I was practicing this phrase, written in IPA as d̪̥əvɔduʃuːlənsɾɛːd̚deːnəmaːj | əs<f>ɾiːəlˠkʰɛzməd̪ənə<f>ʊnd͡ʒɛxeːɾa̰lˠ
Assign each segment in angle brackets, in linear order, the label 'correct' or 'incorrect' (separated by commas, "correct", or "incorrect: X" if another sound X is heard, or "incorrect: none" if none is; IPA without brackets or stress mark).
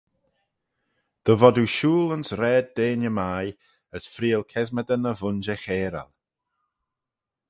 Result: correct, incorrect: v